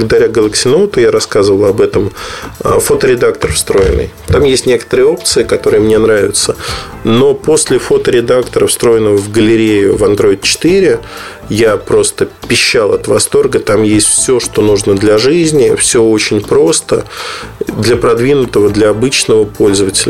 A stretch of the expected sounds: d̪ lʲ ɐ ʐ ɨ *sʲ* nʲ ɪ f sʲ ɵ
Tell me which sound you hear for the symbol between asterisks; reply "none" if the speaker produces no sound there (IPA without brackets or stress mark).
zʲ